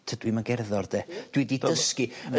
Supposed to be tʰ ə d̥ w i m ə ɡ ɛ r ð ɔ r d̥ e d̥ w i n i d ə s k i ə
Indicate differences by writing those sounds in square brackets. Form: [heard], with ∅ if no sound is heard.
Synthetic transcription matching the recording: tʰ ə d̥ w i m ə ɡ ɛ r ð ɔ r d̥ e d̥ w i [d] i d ə s k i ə